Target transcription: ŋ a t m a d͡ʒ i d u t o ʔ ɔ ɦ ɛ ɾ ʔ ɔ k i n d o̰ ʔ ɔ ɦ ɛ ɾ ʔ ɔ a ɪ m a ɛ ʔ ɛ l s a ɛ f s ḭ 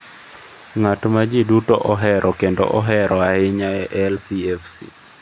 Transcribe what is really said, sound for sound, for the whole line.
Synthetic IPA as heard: ŋ a t m a d͡ʒ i d u t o ʔ ɔ ɦ ɛ ɾ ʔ ɔ k e n d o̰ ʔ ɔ ɦ ɛ ɾ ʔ ɔ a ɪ ɲ a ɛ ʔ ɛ l s i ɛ f s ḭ